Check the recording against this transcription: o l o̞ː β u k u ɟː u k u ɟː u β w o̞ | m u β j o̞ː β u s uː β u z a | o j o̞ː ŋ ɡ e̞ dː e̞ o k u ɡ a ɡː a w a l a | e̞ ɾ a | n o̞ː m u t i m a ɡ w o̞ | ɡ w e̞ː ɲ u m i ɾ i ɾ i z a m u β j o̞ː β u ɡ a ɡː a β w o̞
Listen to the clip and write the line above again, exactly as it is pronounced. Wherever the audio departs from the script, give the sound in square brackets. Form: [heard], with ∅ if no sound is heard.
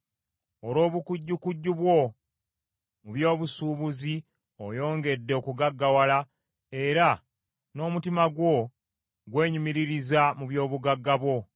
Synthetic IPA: o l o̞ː β u k u ɟː u k u ɟː u β w o̞ | m u β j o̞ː β u s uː β u z [i] | o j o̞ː ŋ ɡ e̞ dː e̞ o k u ɡ a ɡː a w a l a | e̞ ɾ a | n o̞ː m u t i m a ɡ w o̞ | ɡ w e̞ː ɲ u m i ɾ i ɾ i z a m u β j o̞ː β u ɡ a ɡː a β w o̞